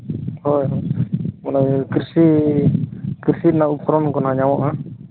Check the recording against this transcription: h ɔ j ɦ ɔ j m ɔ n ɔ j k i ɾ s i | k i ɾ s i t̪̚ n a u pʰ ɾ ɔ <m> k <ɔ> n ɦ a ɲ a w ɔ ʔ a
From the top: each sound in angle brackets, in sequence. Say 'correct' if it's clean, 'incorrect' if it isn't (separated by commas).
incorrect, correct